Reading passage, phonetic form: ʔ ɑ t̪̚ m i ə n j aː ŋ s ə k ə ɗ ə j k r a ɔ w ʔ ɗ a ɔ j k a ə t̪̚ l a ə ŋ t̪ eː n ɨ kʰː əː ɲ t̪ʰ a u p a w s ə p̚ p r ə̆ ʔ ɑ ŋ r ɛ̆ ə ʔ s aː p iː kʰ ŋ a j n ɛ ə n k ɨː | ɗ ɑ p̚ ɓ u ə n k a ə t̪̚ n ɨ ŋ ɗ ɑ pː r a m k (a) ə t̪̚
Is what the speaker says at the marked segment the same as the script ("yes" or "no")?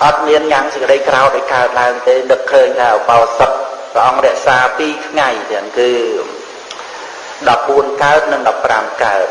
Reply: yes